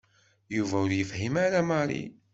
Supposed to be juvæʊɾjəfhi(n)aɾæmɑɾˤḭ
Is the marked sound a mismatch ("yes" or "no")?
yes